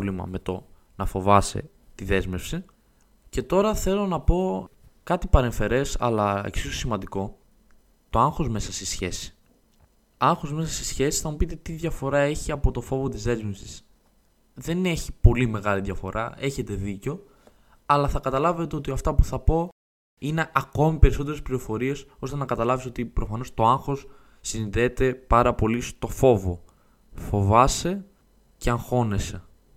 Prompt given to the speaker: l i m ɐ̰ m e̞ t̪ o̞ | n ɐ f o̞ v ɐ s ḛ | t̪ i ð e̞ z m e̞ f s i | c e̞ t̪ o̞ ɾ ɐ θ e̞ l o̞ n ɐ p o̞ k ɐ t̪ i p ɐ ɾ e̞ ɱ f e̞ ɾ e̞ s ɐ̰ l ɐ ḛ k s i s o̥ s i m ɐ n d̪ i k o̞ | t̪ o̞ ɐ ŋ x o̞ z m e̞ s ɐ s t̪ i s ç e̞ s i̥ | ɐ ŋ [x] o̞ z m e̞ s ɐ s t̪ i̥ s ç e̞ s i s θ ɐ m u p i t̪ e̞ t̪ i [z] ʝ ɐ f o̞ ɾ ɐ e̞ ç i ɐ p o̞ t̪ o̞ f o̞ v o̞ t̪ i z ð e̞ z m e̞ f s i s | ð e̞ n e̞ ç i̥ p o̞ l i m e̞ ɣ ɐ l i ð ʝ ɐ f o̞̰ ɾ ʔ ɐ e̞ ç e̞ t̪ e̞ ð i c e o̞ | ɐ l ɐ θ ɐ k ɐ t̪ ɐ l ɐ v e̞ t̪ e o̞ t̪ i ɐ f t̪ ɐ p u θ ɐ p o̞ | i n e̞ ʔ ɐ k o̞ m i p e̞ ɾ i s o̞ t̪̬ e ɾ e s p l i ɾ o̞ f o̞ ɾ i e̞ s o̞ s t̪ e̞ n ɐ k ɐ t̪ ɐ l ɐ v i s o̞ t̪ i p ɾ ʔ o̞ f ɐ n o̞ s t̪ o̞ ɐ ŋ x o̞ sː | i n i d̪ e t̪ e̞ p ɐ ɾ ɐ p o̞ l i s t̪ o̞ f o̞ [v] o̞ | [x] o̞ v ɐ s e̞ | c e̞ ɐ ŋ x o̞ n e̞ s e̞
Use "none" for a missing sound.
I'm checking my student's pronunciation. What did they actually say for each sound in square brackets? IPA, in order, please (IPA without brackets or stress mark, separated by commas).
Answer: x, ð, v, f